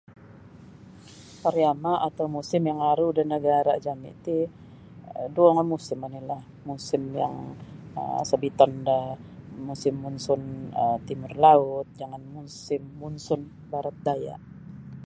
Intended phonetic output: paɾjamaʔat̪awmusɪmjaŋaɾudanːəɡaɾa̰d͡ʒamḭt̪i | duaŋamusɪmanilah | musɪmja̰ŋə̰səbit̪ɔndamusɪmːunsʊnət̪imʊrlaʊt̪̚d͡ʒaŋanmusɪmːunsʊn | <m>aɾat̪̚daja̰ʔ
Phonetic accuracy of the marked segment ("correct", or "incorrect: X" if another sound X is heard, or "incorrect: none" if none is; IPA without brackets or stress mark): incorrect: b